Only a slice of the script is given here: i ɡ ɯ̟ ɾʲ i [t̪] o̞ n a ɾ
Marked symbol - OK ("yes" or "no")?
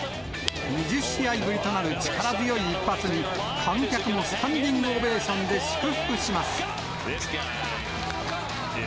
yes